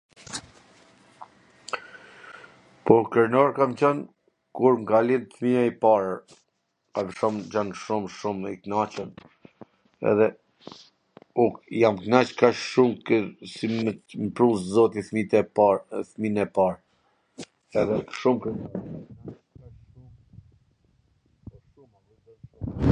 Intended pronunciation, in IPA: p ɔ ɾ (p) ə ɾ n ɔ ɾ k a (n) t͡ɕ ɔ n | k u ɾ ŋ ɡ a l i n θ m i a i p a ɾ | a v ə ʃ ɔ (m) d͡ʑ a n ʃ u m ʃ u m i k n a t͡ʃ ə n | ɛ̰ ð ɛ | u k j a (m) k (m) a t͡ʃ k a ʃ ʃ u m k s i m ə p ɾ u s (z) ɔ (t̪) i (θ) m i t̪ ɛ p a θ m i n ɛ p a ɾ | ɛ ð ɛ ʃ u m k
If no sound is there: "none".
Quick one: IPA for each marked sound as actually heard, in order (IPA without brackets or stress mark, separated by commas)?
k, m, m, m, n, z, t̪, θ